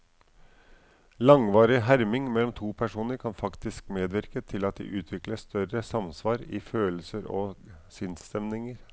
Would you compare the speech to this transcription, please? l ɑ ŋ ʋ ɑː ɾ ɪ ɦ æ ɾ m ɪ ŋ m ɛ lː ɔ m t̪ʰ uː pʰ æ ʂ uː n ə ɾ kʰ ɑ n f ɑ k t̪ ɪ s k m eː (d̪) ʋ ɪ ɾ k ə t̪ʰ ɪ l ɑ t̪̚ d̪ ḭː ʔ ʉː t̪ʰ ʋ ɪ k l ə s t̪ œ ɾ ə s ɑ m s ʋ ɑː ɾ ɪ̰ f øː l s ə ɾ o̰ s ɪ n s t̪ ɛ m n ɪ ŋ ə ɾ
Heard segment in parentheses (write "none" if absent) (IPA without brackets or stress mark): d̪